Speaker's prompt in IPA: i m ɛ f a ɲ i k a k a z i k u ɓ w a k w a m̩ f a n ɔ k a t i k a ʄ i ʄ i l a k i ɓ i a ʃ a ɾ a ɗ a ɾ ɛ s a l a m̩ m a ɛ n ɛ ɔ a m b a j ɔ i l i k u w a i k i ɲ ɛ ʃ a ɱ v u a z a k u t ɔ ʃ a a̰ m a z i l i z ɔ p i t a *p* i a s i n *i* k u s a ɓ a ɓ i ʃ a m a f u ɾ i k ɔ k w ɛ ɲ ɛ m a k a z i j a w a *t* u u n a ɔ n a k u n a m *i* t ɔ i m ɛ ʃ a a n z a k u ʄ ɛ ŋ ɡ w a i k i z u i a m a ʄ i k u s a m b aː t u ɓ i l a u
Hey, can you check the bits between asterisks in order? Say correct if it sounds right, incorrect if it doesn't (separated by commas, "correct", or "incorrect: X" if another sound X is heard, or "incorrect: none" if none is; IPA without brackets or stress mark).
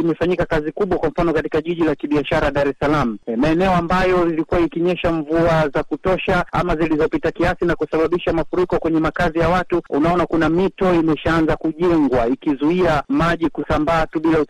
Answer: incorrect: k, incorrect: a, correct, correct